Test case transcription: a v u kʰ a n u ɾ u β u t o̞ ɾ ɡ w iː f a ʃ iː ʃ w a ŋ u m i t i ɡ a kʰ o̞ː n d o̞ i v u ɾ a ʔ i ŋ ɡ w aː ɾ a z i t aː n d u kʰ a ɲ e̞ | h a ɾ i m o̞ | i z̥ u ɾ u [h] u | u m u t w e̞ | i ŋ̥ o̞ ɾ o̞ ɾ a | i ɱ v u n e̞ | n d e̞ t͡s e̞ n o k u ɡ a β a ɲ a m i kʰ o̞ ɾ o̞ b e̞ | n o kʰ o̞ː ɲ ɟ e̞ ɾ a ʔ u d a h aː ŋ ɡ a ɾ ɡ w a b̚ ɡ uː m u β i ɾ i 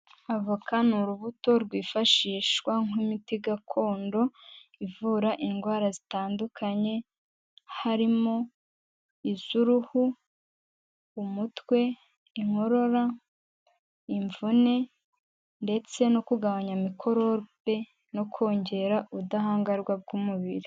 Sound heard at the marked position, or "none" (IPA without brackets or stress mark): h